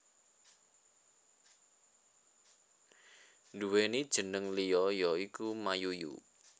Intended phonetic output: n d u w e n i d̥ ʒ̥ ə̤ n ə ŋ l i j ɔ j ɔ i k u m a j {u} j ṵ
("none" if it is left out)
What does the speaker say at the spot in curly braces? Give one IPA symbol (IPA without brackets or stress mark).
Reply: u